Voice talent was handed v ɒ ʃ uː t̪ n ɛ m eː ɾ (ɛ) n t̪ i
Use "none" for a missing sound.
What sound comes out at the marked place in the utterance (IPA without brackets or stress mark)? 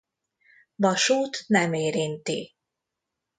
i